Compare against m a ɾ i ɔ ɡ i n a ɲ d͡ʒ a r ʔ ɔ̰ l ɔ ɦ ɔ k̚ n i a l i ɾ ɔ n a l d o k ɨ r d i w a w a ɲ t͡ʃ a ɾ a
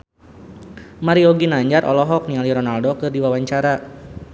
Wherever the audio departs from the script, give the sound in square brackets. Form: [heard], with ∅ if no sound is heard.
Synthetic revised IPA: m a ɾ i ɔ ɡ i n a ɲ d͡ʒ a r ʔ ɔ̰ l ɔ ɦ ɔ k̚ n i a l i ɾ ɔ n a l d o k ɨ r d i w a w a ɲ t͡ʃ a ɾ a